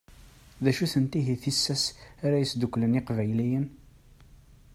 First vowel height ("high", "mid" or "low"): low